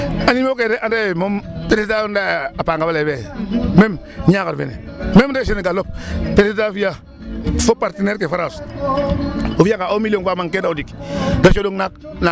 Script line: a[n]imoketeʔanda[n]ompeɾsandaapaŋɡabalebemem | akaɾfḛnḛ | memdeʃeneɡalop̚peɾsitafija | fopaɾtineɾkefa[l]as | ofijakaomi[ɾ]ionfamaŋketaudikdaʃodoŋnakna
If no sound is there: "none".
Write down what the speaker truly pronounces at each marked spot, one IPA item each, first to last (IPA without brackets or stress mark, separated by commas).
n, m, ɾ, l